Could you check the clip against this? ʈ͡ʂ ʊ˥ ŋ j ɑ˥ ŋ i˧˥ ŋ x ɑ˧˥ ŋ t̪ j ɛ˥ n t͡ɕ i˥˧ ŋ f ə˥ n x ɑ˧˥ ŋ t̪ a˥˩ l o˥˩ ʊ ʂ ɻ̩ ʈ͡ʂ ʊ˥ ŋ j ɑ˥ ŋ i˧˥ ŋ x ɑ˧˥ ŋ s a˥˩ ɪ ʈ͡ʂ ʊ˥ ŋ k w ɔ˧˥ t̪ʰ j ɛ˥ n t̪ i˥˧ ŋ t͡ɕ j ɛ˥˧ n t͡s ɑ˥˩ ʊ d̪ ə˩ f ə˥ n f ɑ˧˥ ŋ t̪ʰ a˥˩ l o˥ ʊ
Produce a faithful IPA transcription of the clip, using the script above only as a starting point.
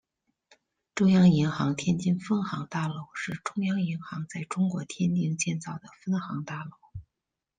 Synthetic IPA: ʈ͡ʂ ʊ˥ ŋ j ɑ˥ ŋ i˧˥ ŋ x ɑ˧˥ ŋ t̪ʰ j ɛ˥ n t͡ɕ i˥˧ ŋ f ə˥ n x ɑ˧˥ ŋ t̪ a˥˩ l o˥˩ ʊ ʂ ɻ̩ ʈ͡ʂ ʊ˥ ŋ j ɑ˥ ŋ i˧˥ ŋ x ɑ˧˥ ŋ t͡s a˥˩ ɪ ʈ͡ʂ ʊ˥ ŋ k w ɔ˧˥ t̪ʰ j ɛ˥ n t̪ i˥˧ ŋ t͡ɕ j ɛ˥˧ n t͡s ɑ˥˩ ʊ d̪ ə˩ f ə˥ n x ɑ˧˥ ŋ t̪ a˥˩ l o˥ ʊ